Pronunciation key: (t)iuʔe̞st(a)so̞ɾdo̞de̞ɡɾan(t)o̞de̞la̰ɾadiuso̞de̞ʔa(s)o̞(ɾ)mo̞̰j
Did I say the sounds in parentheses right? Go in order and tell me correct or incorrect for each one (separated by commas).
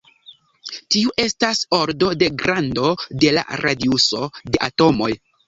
correct, correct, incorrect, incorrect, incorrect